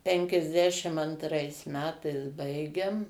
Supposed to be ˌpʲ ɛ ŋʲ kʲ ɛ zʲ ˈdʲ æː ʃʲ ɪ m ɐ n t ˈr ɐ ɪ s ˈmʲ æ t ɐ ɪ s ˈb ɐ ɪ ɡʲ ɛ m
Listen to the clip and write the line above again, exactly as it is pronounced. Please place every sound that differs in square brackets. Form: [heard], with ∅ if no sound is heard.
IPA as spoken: ˌpʲ ɛ ŋʲ kʲ ɛ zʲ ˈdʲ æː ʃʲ ɪ m ɐ n t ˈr ɐ ɪ s ˈmʲ [æː] t ɐ ɪ s ˈb ɐ ɪ ɡʲ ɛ m